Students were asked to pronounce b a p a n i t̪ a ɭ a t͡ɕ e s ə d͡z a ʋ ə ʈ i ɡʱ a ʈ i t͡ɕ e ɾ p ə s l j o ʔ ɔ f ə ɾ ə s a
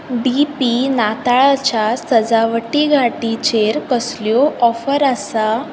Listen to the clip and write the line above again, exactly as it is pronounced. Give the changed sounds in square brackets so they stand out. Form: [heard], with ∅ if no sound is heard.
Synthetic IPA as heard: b [i] p [i] n [a] t̪ a ɭ a t͡ɕ [a] s ə d͡z a ʋ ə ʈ i ɡʱ a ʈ i t͡ɕ e ɾ [k] ə s l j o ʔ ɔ f ə ɾ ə s a